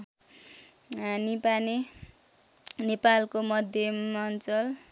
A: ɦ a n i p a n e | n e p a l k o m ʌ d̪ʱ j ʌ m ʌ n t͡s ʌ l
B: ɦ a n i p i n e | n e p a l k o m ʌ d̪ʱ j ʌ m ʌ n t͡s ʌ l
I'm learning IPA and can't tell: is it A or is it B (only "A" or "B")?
A